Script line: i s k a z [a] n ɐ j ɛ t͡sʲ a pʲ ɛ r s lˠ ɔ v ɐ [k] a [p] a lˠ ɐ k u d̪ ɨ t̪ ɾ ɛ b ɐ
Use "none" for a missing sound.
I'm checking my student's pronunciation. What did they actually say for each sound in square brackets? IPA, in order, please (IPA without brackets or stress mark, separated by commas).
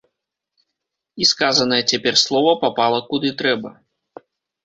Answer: ɐ, p, p